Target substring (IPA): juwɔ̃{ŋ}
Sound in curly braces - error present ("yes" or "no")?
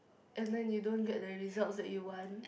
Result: yes